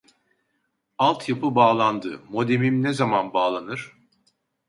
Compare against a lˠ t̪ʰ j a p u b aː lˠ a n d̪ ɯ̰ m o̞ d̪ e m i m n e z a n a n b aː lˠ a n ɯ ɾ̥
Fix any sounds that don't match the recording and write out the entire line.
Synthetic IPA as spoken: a lˠ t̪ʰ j a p ɯ b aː lˠ a n d̪ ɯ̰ m o̞ d̪ e m i m n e z a m a n b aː lˠ a n ɯ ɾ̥